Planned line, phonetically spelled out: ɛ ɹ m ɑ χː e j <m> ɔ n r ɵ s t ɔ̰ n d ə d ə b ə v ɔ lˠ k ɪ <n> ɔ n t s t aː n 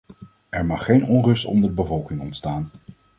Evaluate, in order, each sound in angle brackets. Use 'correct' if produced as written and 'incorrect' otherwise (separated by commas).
incorrect, incorrect